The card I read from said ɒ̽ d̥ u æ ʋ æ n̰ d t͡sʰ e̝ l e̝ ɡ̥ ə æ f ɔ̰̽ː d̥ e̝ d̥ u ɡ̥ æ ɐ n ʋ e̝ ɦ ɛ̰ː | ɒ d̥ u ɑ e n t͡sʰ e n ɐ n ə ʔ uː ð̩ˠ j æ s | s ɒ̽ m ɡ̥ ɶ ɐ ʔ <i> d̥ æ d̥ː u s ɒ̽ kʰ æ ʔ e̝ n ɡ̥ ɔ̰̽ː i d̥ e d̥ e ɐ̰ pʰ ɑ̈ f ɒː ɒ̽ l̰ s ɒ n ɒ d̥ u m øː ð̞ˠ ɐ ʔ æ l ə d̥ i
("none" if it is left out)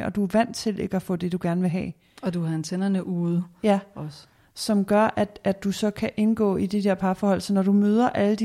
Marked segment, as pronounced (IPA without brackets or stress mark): æ